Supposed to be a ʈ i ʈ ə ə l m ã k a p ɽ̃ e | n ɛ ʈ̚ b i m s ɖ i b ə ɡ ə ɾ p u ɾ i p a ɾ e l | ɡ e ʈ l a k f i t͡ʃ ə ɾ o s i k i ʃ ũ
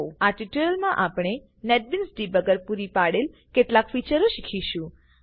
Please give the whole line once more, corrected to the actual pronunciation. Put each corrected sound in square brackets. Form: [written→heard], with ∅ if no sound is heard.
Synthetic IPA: a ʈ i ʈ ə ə l m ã [k→ʔ] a p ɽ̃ e | n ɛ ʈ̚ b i [m→n] s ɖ i b ə ɡ ə ɾ p u ɾ i p a [ɾ→ɽ] e l | [ɡ→k] e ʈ l a k f i t͡ʃ ə ɾ o [s→ʃ] i [k→kʰ] i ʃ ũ